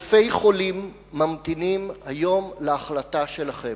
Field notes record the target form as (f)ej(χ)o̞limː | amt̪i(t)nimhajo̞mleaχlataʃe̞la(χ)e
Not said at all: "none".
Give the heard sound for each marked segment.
f, χ, none, χ

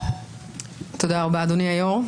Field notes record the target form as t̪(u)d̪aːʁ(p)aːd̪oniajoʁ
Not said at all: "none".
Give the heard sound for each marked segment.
o, b

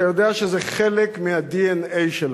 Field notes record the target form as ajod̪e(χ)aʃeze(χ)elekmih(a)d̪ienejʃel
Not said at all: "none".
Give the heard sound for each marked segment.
none, χ, a

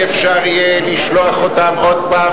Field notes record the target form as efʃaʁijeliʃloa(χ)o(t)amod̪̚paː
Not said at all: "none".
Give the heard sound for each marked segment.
χ, t

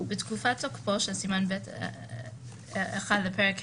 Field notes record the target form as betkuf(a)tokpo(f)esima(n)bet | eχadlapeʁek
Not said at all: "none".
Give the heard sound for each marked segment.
a, ʃ, n

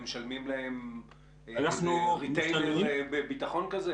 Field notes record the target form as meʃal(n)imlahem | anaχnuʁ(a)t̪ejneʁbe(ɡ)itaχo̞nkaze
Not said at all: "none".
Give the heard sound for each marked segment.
m, i, b

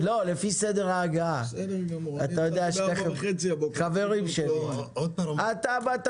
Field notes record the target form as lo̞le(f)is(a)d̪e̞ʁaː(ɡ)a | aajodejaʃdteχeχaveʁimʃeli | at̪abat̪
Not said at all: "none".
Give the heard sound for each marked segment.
f, e, ɡ

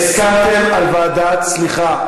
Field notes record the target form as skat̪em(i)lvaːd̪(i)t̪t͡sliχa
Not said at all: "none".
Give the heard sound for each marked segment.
a, a

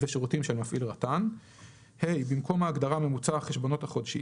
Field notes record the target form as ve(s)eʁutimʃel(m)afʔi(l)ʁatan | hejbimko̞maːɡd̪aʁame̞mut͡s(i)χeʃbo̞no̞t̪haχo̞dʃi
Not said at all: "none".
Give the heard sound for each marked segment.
ʃ, m, l, a

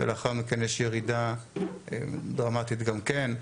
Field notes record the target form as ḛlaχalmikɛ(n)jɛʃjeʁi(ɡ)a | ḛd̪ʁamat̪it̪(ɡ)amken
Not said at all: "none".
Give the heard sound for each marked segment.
n, d, ɡ

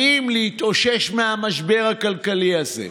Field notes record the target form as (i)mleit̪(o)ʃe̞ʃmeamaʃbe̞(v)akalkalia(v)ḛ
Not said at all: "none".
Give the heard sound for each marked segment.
i, o, ʁ, z

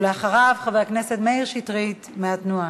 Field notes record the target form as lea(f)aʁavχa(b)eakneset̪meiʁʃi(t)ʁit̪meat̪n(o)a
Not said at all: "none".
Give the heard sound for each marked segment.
χ, v, t, u

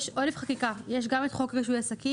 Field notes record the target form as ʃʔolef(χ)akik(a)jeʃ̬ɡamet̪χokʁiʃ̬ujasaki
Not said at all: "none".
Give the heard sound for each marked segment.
χ, a

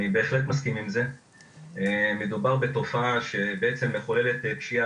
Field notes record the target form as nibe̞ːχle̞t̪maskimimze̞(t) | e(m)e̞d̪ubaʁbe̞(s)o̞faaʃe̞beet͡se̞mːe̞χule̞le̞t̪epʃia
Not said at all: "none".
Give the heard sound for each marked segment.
none, m, t

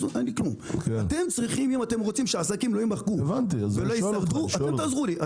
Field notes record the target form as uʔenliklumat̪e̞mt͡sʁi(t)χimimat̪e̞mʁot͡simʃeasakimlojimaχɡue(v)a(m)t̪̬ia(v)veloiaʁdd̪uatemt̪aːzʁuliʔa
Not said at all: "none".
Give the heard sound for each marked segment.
none, v, n, z

